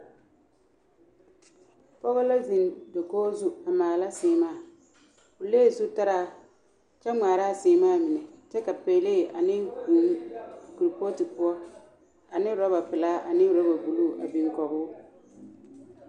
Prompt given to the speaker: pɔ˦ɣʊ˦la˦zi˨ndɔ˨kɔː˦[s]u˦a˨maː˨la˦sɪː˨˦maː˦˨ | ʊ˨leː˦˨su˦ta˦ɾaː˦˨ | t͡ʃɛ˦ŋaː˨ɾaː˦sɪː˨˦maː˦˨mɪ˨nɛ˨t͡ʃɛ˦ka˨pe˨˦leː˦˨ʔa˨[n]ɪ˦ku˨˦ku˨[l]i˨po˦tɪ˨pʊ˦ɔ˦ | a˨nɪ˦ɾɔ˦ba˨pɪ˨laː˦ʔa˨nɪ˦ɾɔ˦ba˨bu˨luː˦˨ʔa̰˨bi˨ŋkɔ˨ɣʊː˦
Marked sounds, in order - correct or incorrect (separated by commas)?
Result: incorrect, correct, incorrect